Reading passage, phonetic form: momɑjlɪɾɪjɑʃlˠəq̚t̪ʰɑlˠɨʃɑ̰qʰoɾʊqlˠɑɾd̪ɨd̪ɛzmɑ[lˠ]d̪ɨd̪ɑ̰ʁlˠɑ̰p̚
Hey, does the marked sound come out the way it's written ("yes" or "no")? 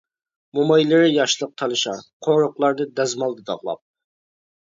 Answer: yes